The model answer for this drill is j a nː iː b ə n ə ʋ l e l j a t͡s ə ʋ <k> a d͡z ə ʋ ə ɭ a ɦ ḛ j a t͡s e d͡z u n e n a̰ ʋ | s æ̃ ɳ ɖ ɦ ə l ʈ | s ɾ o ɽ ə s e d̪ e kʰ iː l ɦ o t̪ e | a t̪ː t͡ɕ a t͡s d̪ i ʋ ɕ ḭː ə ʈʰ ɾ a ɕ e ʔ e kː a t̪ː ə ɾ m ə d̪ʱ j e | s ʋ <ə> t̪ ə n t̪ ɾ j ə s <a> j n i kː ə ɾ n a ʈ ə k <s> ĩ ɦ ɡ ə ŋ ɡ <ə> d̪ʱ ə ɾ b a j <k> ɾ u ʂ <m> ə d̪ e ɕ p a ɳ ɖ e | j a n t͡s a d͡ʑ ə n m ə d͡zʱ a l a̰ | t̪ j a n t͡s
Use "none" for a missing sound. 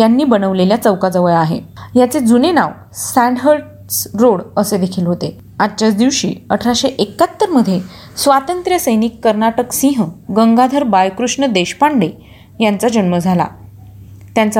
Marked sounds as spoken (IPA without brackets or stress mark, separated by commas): k, a, ə, s, a, k, ɳ